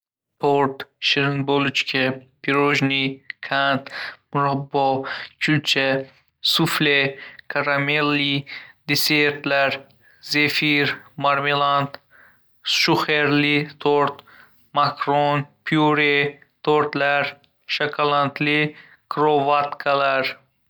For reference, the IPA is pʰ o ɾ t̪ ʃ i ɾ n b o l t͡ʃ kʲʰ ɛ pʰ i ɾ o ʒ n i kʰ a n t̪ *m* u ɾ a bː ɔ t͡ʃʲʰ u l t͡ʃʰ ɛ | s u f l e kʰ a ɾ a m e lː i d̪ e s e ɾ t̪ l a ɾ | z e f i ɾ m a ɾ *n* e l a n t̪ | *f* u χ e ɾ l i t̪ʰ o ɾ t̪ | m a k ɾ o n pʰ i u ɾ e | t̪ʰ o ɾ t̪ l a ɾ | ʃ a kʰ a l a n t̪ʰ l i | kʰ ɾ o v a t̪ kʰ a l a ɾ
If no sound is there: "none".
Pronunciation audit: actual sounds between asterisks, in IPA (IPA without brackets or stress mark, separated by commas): m, m, ʃ